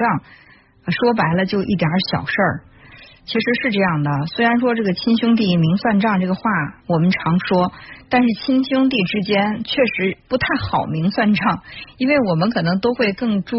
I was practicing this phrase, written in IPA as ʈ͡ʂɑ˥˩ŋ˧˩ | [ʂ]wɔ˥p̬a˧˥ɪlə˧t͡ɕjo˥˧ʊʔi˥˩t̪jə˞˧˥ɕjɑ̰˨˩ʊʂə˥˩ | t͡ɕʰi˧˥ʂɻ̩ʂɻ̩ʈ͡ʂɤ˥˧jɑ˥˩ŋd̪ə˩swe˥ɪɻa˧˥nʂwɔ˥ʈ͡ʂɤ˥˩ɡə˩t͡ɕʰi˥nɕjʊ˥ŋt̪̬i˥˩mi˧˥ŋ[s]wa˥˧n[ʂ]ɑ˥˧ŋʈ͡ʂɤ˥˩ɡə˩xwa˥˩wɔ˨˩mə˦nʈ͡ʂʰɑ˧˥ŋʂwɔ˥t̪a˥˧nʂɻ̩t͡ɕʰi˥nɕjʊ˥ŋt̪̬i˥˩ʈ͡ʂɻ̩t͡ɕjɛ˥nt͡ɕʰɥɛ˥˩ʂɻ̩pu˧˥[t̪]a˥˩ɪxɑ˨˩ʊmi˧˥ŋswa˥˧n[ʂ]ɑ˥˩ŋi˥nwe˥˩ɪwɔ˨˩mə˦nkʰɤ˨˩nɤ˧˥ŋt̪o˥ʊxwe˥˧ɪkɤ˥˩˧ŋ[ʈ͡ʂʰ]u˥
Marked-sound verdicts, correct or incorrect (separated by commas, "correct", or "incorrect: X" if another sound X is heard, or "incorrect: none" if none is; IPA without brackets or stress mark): correct, correct, incorrect: ʈ͡ʂ, incorrect: t̪ʰ, incorrect: ʈ͡ʂ, incorrect: ʈ͡ʂ